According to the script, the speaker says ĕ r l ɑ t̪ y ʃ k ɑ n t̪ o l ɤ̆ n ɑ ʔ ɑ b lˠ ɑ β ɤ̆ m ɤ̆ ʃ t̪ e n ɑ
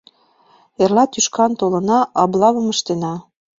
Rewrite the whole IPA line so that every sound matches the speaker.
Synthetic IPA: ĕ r l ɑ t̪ y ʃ k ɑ n t̪ o l ɤ̆ n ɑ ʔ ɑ b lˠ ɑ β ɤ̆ m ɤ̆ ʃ t̪ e n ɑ